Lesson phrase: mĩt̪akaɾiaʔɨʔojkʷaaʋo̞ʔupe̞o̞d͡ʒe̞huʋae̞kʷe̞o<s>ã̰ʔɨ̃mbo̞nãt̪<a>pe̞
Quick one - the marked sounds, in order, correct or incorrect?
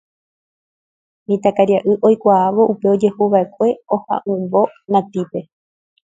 incorrect, incorrect

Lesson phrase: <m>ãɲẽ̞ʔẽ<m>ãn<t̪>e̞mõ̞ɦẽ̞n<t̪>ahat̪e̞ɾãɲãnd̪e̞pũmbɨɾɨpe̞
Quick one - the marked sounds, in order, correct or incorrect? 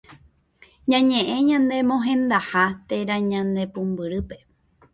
incorrect, incorrect, incorrect, incorrect

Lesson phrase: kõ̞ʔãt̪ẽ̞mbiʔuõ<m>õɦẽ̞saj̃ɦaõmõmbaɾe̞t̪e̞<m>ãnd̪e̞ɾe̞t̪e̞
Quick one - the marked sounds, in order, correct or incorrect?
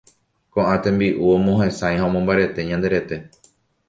correct, incorrect

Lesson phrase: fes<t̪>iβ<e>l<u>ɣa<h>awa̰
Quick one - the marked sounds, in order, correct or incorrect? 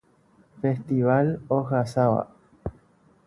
correct, incorrect, incorrect, incorrect

